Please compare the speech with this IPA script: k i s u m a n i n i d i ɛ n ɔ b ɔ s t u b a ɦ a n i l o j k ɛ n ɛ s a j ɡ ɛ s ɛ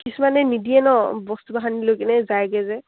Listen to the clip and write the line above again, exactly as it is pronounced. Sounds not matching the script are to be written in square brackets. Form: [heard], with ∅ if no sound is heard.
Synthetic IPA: k i s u m a n [ɛ] n i d i ɛ n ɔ b ɔ s t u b a ɦ a n i l o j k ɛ n ɛ [z] a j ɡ ɛ [z] ɛ